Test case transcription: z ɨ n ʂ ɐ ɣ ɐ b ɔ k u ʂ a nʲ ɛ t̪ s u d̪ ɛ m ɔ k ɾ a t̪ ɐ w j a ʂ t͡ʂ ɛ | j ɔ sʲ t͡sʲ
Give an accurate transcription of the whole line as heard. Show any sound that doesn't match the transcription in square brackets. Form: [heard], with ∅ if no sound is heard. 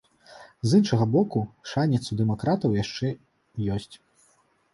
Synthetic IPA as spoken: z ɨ n ʂ ɐ ɣ ɐ b ɔ k u ʂ a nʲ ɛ t̪ s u d̪ ɛ m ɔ k ɾ a t̪ ɐ w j a ʂ t͡ʂ ɛ | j ɔ sʲ t͡sʲ

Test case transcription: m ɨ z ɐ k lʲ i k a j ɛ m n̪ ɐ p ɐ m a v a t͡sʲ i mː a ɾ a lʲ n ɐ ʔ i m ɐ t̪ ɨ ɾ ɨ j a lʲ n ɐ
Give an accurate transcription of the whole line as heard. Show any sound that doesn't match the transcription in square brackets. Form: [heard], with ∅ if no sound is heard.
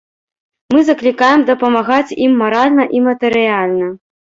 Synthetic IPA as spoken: m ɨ z ɐ k lʲ i k a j ɛ m [d̪] ɐ p ɐ m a [ɣ] a t͡sʲ i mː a ɾ a lʲ n ɐ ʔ i m ɐ t̪ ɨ ɾ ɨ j a lʲ n ɐ

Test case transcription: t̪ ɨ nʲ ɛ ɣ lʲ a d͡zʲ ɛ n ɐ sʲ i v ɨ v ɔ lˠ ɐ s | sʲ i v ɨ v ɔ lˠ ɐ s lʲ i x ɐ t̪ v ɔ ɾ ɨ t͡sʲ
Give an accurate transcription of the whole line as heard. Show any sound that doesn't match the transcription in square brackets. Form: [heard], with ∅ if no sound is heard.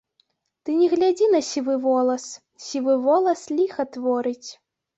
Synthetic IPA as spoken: t̪ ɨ nʲ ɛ ɣ lʲ a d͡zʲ [i] n ɐ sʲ i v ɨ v ɔ lˠ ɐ s | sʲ i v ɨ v ɔ lˠ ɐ s lʲ i x ɐ t̪ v ɔ ɾ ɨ t͡sʲ

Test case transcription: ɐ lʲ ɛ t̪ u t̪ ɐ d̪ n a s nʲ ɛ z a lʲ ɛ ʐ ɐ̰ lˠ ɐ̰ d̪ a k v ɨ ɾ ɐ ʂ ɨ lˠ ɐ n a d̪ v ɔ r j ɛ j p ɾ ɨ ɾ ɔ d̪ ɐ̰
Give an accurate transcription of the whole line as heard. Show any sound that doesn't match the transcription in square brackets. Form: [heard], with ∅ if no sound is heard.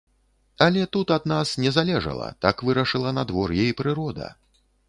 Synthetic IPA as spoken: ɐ lʲ ɛ t̪ u t̪ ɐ d̪ n a s nʲ ɛ z a lʲ ɛ ʐ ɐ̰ lˠ ɐ̰ [t̪] a k v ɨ ɾ ɐ ʂ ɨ lˠ ɐ n a d̪ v ɔ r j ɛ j p ɾ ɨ ɾ ɔ d̪ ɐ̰

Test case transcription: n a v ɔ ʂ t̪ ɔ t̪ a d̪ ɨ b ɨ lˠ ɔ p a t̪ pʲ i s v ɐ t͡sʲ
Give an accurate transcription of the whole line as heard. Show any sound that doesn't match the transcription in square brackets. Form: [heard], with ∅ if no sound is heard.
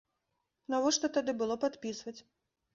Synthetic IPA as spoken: n a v ɔ ʂ t̪ ɔ t̪ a d̪ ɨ b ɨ lˠ ɔ p a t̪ pʲ i s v ɐ t͡sʲ

